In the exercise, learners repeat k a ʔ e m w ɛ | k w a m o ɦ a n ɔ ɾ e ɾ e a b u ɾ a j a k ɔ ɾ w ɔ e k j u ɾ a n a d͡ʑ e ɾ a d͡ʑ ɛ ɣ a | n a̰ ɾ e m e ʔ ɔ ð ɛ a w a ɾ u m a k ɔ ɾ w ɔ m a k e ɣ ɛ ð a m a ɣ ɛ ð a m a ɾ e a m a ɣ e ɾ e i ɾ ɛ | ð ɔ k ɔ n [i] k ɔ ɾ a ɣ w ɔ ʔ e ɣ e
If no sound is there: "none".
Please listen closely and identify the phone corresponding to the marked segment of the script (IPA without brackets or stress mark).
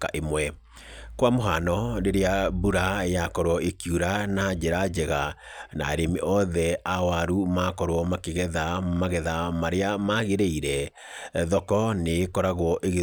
e